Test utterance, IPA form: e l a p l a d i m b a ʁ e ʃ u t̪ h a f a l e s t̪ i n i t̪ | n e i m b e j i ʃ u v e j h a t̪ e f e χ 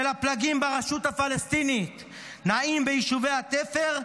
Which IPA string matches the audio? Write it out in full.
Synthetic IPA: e l a p l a ɡ i m b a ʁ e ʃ u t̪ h a f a l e s t̪ i n i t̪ | n a i m b e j i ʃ u v e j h a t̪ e f e ʁ